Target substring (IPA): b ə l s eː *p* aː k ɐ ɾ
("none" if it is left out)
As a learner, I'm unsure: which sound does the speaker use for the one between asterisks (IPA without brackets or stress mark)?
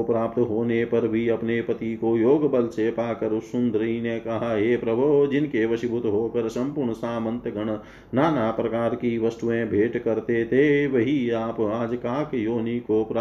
p